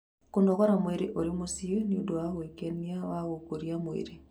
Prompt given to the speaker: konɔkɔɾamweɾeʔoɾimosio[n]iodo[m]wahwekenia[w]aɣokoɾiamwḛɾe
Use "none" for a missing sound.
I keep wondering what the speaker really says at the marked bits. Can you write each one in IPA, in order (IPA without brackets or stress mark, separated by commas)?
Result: n, none, w